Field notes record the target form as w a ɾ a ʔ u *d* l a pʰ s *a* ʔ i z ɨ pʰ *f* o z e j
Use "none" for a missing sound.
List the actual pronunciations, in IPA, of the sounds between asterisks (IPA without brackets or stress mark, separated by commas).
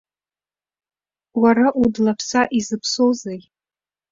d, a, s